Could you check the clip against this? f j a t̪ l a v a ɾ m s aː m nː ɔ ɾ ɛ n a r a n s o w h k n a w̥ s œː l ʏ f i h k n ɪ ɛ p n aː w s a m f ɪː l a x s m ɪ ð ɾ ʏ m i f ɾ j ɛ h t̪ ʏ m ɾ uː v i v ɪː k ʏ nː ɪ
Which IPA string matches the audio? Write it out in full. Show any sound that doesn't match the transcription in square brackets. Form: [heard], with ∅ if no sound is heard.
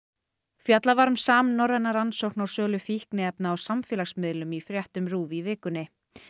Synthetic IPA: f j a t̪ l a v a ɾ m s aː m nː ɔ ɾ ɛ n a [ɾ] a n s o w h k n a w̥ s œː l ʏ f i h k n ɪ ɛ p n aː w s a m f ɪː l a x s m ɪ ð [l] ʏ m i f ɾ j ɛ h t̪ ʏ m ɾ uː v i v ɪː k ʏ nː ɪ

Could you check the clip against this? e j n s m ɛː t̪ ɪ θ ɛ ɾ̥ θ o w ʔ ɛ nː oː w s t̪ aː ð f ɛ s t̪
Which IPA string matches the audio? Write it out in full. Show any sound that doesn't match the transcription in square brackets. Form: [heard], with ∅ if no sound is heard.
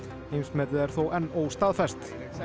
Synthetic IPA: e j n s m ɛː t̪ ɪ [ð] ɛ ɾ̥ θ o w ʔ ɛ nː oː w s t̪ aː ð f ɛ s t̪

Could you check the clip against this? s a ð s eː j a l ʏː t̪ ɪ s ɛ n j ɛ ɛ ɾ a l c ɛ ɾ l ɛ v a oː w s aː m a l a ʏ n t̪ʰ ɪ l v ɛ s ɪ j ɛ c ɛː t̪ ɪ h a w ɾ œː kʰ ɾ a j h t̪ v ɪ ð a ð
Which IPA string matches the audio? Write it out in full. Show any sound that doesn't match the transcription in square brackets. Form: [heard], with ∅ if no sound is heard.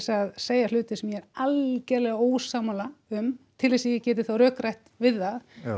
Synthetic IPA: s a ð s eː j a l ʏː t̪ ɪ s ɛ [m] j ɛ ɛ ɾ a l c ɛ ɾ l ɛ [ɣ] a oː w s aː m a l a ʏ [m] t̪ʰ ɪ l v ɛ s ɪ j ɛ c ɛː t̪ ɪ [θ] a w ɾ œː [k] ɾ a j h t̪ v ɪ ð a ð

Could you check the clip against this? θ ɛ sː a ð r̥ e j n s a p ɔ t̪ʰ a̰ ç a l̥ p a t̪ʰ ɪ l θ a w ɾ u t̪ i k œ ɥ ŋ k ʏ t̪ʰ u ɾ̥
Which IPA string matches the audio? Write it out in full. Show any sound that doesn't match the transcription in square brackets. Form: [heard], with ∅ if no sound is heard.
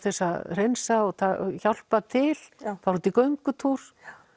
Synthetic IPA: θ ɛ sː a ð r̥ e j n s a [∅] ɔ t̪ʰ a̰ ç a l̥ p a t̪ʰ ɪ l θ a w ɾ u t̪ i k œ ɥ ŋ k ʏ t̪ʰ u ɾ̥

